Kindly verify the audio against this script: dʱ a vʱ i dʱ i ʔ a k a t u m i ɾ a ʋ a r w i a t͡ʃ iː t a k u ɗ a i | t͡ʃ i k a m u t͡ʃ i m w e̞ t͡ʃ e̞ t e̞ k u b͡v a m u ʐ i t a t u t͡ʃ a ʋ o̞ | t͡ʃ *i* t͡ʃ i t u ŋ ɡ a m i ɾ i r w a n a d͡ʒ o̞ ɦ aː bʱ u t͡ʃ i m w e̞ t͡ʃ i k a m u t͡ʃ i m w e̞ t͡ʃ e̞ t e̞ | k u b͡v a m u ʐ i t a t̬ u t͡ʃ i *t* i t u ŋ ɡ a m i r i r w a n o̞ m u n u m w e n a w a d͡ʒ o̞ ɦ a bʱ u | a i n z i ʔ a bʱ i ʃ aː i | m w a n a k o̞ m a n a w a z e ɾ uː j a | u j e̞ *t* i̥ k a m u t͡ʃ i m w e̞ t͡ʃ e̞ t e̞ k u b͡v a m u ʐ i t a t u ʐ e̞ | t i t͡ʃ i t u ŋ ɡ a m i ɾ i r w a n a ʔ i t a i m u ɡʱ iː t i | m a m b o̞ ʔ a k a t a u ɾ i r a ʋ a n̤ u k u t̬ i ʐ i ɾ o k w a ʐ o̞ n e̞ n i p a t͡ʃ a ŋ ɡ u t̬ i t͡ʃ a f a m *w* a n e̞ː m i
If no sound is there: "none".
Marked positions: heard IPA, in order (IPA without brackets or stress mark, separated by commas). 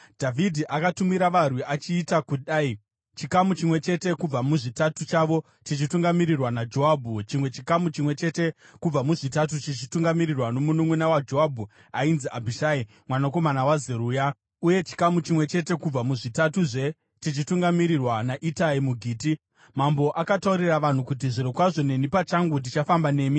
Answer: i, t͡ʃ, t͡ʃ, b